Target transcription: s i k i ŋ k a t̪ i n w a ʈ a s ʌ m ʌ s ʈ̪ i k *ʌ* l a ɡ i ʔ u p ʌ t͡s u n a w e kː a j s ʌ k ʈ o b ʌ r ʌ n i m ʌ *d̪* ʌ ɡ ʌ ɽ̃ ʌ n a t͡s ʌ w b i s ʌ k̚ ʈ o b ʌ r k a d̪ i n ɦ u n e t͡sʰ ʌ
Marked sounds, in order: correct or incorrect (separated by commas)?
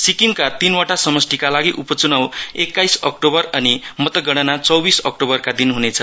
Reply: incorrect, incorrect